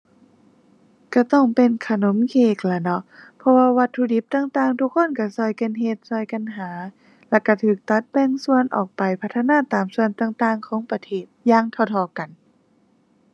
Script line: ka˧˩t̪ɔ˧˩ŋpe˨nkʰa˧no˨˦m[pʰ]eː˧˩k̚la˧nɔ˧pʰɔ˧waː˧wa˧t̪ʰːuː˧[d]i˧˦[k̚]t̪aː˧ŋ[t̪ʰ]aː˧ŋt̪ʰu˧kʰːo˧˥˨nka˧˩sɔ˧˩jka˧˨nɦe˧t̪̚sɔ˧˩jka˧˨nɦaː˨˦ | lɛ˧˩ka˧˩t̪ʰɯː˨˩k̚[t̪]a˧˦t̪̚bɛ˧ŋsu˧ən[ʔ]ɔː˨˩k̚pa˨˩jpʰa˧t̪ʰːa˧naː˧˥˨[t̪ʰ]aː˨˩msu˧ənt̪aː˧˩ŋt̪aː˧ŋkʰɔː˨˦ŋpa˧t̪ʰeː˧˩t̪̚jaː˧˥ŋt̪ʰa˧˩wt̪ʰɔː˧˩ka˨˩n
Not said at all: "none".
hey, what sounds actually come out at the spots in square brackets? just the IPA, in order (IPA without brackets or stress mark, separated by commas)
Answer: kʰ, d, p̚, t̪, t̪, ʔ, t̪